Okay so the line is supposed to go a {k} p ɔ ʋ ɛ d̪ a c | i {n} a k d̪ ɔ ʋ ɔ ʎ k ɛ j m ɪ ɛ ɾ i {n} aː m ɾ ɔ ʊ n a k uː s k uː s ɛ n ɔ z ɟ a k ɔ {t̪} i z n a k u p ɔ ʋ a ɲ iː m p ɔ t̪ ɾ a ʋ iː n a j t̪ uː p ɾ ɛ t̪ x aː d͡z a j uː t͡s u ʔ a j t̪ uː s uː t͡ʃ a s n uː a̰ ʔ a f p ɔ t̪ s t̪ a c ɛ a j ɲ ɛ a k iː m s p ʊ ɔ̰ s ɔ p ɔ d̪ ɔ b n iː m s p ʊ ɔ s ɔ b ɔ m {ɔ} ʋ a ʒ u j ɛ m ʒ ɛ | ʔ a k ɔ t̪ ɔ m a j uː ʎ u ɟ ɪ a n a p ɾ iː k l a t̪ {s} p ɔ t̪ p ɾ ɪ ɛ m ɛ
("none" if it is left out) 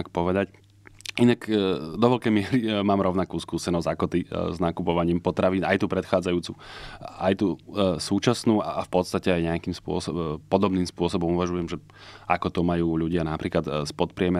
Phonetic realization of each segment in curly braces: k, n, m, t̪, u, s

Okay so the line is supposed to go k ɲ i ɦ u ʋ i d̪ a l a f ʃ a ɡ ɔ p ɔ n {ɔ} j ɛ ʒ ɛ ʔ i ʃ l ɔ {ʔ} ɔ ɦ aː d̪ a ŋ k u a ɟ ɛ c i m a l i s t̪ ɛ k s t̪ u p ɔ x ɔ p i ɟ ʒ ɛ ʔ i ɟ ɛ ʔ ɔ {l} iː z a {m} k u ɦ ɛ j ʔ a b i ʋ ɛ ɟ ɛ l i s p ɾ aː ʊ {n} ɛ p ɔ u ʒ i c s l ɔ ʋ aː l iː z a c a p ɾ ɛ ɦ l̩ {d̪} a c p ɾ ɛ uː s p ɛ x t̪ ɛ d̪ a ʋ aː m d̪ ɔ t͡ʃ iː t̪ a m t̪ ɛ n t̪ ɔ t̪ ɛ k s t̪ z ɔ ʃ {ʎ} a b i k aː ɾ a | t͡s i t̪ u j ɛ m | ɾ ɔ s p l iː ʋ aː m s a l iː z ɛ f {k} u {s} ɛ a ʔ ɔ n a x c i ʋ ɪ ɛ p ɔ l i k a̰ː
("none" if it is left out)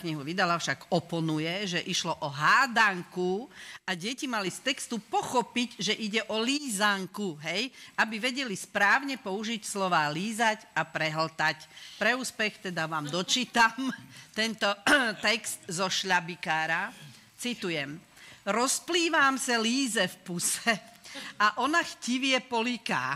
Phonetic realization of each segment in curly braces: u, ʔ, l, ŋ, ɲ, t̪, ʎ, p, s

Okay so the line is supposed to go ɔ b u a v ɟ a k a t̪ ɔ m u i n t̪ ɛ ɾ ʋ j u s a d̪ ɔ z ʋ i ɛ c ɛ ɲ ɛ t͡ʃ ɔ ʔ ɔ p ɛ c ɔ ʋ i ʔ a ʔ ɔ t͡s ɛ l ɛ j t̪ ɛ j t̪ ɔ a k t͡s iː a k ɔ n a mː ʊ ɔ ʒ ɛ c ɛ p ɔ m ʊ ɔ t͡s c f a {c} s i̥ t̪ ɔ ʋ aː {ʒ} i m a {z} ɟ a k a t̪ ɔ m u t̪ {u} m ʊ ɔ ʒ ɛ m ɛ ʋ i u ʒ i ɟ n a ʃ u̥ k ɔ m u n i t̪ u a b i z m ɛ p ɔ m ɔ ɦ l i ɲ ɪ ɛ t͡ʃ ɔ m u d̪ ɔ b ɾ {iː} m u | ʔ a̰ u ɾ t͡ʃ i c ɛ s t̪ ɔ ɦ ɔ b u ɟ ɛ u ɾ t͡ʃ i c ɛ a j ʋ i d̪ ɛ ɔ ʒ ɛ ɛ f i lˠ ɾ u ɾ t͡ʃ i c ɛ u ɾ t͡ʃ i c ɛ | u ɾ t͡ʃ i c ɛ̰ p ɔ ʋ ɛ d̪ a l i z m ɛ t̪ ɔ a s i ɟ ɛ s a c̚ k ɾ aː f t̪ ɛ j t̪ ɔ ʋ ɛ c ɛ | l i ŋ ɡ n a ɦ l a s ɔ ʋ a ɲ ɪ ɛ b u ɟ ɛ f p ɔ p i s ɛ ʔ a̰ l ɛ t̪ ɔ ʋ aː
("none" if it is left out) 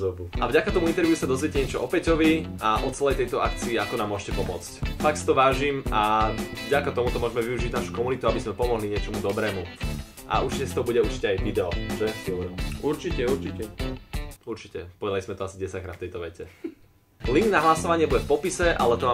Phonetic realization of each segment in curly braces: k, ʒ, v, ɔ, ɛː

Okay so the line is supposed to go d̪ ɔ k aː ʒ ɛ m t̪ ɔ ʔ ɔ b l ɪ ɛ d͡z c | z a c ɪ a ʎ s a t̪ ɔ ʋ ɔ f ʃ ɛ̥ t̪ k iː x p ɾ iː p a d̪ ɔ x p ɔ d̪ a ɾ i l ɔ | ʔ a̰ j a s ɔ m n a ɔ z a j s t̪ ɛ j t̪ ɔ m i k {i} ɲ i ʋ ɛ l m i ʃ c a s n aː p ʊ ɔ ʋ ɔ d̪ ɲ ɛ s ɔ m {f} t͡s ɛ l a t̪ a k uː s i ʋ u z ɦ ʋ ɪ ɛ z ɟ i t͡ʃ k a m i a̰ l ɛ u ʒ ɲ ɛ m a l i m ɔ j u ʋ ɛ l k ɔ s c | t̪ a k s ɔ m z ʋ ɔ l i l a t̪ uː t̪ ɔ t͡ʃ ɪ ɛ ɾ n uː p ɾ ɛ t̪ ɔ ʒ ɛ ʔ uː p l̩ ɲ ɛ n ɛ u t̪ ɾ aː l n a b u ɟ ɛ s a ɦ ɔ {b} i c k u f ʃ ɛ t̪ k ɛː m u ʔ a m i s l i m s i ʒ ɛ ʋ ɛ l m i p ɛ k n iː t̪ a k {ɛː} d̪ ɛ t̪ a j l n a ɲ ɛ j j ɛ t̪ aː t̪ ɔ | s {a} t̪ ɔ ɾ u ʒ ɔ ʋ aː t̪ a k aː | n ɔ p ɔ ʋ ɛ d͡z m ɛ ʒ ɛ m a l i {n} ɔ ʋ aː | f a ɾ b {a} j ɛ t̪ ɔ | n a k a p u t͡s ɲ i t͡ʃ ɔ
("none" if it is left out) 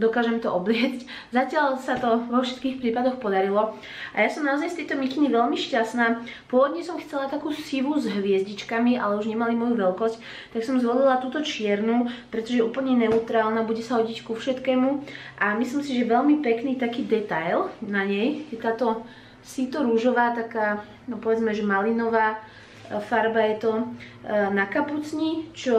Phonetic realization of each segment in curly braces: i, x, ɟ, iː, i, n, a

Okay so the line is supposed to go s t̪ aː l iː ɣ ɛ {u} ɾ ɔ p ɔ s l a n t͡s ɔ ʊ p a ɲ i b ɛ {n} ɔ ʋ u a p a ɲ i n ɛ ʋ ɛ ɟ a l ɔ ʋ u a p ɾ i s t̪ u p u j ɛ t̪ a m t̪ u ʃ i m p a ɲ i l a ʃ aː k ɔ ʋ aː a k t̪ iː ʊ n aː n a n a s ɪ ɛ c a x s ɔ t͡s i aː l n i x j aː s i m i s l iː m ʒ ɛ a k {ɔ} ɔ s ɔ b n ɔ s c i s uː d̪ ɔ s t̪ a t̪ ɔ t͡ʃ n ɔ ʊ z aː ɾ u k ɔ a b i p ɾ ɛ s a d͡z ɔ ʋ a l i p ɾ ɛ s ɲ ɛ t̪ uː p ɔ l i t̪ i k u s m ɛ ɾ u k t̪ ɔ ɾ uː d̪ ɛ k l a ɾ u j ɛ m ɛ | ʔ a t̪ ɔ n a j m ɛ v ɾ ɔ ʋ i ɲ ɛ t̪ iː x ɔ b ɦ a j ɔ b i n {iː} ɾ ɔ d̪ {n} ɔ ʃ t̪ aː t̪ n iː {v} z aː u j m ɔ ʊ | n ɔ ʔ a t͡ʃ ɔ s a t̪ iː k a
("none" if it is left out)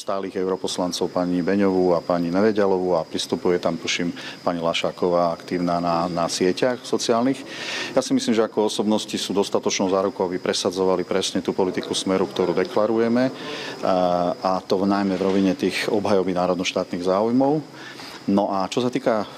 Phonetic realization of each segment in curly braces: ʊ, ɲ, ɔ, aː, n, ɣ

